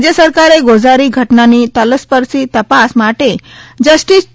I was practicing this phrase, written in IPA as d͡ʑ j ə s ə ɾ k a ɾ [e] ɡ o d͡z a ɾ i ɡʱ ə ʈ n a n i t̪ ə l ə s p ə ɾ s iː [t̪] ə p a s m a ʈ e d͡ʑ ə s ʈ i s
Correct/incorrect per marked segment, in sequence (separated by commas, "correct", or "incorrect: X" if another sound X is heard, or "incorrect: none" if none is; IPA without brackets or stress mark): correct, correct